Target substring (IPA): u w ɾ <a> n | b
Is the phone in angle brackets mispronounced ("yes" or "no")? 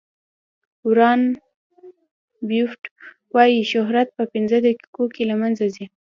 yes